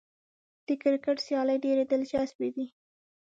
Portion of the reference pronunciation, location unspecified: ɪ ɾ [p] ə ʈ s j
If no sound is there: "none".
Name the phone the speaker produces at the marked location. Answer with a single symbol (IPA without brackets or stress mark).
k